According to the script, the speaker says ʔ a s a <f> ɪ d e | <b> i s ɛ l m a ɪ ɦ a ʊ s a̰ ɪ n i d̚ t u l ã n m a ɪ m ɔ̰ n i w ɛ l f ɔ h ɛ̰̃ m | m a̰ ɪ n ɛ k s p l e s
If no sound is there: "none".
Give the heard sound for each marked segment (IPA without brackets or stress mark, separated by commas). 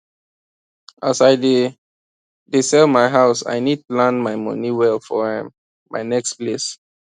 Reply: none, d